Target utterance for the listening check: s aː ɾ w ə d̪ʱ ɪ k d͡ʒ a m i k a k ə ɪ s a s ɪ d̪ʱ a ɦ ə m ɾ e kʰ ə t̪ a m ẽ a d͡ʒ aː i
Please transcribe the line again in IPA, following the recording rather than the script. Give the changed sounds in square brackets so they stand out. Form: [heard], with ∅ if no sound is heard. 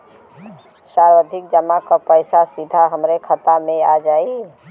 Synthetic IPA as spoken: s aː ɾ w ə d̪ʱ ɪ k d͡ʒ [ə] m [a] k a [p] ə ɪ s a s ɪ d̪ʱ a ɦ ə m ɾ e kʰ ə t̪ a m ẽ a d͡ʒ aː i

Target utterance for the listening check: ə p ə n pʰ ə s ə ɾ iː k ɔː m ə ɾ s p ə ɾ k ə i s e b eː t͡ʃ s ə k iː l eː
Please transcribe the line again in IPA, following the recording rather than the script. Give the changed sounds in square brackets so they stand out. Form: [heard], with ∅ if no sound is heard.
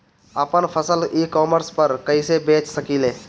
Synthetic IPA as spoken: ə p ə n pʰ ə s ə [l] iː k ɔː m ə ɾ s p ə ɾ k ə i s e b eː t͡ʃ s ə k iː l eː

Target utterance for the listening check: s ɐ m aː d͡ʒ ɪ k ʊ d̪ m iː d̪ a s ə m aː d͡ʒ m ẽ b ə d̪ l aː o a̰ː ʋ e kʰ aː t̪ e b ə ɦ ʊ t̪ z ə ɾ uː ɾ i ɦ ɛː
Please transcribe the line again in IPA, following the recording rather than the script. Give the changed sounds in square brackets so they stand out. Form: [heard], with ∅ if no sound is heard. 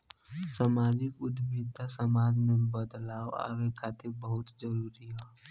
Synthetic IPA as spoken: s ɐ m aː d͡ʒ ɪ k ʊ d̪ m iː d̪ a s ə m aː d͡ʒ m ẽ b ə d̪ l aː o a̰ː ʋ e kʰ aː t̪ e b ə ɦ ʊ t̪ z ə ɾ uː ɾ i ɦ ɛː

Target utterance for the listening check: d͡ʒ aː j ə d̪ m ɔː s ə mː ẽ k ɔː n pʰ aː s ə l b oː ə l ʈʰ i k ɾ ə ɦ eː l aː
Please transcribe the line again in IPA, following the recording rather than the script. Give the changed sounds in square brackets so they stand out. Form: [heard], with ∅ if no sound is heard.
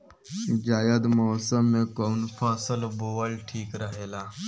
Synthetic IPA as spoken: d͡ʒ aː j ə d̪ m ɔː s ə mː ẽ k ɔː n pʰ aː s ə l b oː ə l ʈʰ [iː] k ɾ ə ɦ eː l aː

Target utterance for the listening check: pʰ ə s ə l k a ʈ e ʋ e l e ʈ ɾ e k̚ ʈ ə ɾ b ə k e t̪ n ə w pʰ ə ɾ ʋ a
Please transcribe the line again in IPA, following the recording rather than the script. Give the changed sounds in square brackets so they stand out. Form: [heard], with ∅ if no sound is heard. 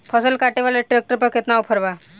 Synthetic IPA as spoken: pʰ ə s ə l k a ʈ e ʋ [a] l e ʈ ɾ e k̚ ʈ ə ɾ [p] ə k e t̪ n [a] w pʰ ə ɾ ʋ a

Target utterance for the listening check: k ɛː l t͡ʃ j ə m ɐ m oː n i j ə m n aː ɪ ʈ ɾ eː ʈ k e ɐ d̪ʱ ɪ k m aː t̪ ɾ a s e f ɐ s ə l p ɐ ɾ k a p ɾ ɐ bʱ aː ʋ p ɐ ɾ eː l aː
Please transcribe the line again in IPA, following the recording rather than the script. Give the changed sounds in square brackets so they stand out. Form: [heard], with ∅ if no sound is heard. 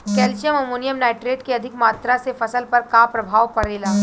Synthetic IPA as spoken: k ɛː l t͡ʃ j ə m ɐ m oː n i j ə m n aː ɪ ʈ ɾ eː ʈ k e ɐ d̪ʱ ɪ k m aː t̪ ɾ a s e f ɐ s ə l p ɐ ɾ k a p ɾ ɐ bʱ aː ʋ p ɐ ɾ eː l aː

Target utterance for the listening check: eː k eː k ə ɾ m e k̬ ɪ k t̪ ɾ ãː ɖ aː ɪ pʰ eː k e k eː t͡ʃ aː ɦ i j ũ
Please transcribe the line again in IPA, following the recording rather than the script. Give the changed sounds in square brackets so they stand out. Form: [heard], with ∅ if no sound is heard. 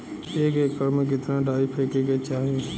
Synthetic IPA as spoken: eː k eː k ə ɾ m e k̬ ɪ [∅] t̪ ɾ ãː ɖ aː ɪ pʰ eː k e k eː t͡ʃ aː ɦ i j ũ

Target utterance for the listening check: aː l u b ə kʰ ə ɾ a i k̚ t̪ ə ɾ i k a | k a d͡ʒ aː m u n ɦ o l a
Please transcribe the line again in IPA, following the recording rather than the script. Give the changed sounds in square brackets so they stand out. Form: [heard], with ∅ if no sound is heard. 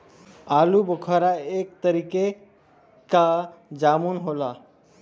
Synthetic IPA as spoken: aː l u b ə kʰ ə ɾ a [e] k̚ t̪ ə ɾ i k [e] | k a d͡ʒ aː m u n ɦ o l a

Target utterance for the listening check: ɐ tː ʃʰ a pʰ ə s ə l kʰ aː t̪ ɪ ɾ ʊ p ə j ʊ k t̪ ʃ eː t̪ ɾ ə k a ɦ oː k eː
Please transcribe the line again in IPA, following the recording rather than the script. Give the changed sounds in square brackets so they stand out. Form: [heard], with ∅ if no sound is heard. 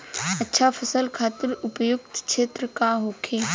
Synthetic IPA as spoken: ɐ tː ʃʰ a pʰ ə s ə l kʰ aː t̪ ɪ ɾ ʊ p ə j ʊ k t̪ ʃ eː t̪ ɾ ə k a ɦ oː [kʰ] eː

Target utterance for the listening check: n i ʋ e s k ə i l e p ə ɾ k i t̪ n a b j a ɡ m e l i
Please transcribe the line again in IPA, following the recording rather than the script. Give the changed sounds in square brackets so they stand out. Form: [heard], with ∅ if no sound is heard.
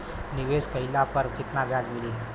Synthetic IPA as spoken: n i ʋ e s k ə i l [a] p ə ɾ k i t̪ n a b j a ɡ m [i] l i

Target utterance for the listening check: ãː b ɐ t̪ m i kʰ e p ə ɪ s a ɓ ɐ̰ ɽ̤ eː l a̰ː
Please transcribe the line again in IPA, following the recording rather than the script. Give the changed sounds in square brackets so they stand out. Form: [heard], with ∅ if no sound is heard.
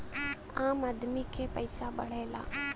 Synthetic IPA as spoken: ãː [m] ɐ [d̪] m i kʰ e p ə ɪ s a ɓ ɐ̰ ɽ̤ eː l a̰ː

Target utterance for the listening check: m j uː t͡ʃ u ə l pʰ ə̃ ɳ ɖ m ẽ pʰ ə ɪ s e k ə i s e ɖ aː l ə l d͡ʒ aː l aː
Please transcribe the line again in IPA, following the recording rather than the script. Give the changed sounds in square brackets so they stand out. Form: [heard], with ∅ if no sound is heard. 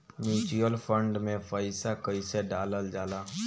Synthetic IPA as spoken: m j uː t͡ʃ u ə l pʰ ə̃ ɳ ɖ m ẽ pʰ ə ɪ s [a] k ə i s e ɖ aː l ə l d͡ʒ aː l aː

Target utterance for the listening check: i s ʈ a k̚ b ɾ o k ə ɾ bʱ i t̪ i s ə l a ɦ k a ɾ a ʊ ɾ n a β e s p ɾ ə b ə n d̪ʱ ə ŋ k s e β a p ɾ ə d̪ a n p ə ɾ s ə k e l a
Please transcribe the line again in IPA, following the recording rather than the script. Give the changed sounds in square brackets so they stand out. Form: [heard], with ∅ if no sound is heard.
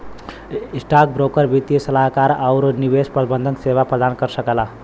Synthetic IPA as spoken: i s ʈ a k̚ b ɾ o k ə ɾ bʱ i t̪ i s ə l a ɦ k a ɾ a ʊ ɾ n [i] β e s p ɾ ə b ə n d̪ʱ ə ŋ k s e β a p ɾ ə d̪ a n [k] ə ɾ s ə k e l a

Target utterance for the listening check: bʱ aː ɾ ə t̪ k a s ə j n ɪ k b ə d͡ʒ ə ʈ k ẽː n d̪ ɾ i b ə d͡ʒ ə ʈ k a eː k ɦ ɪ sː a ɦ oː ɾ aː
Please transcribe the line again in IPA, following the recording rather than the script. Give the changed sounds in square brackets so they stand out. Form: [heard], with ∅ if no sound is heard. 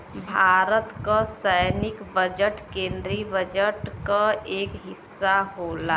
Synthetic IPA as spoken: bʱ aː ɾ ə t̪ k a s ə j n ɪ k b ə d͡ʒ ə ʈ k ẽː n d̪ ɾ i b ə d͡ʒ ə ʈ k a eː k ɦ ɪ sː a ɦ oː [l] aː

